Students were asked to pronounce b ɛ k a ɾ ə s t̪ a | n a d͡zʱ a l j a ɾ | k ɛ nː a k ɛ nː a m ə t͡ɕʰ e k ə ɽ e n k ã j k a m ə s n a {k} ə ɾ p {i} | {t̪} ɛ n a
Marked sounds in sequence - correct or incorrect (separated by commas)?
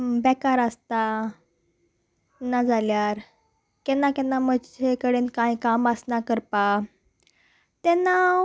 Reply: correct, incorrect, correct